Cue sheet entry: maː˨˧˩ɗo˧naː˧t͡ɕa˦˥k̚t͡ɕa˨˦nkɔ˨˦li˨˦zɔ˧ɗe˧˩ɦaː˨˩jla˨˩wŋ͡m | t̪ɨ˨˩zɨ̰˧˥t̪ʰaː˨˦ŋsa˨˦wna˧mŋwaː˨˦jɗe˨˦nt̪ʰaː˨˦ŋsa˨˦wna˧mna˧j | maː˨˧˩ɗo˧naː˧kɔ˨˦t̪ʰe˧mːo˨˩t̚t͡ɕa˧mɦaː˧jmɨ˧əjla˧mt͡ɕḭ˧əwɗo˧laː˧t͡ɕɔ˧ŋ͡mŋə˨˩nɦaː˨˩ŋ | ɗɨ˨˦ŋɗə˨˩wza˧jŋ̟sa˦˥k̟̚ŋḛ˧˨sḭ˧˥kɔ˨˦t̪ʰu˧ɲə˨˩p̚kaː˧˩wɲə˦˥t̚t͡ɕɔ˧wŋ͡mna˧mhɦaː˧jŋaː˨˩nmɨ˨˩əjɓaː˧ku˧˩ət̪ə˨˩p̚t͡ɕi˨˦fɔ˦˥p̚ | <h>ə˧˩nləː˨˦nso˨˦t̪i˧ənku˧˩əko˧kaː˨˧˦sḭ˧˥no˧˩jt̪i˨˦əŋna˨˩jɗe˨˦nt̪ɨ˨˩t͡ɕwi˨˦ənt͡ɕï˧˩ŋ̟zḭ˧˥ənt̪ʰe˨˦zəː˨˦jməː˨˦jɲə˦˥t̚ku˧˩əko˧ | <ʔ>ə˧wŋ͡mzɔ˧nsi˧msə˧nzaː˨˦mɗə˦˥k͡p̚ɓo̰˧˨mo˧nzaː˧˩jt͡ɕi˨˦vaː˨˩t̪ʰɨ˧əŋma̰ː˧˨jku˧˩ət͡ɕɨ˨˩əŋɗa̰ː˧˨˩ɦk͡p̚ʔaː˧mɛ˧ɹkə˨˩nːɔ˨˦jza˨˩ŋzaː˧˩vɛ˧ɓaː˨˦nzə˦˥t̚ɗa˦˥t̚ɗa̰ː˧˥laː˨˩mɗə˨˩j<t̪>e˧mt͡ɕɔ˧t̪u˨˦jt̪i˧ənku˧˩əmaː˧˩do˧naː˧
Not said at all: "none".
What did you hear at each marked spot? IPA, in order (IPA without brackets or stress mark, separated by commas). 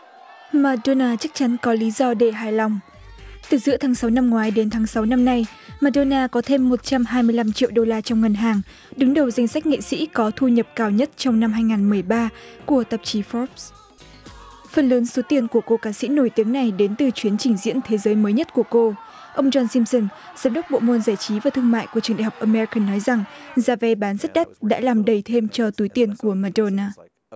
f, ʔ, t̪ʰ